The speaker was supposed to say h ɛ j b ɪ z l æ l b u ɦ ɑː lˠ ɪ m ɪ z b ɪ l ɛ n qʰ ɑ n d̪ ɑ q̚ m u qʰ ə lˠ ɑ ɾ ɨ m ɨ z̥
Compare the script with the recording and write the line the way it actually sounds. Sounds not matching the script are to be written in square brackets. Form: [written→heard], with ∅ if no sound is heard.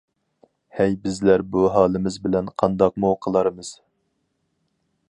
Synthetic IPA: h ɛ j b ɪ z l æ [l→ɾ] b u ɦ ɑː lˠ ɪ m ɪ z b ɪ l ɛ n qʰ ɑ n d̪ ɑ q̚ m u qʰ ə lˠ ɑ ɾ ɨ m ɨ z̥